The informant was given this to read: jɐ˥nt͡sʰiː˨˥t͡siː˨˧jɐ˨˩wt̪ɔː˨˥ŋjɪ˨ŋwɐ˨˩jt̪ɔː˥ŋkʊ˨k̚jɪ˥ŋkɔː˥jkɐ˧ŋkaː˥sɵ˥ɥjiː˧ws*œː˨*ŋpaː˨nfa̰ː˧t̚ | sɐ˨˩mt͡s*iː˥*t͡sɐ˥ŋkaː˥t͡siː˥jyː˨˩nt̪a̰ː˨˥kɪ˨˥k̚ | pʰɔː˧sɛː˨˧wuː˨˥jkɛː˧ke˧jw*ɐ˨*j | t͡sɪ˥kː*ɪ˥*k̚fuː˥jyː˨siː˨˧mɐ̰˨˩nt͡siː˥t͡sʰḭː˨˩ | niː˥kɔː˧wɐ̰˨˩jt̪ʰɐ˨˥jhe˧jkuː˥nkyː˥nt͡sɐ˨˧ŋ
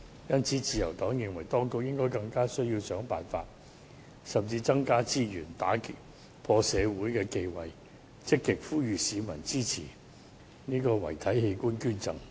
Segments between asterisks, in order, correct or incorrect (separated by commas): incorrect, incorrect, correct, incorrect